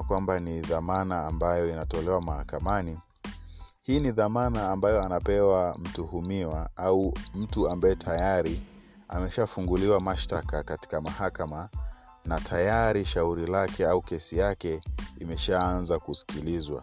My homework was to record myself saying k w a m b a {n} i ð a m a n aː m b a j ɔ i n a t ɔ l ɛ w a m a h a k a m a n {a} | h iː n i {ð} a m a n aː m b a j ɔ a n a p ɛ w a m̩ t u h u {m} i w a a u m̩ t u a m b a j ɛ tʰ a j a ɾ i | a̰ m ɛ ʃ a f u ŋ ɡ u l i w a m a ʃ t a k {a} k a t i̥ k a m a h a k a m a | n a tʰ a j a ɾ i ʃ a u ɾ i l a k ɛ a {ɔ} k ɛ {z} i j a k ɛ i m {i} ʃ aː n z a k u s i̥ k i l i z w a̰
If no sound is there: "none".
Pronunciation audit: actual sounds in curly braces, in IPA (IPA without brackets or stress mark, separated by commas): n, i, ð, m, a, u, s, ɛ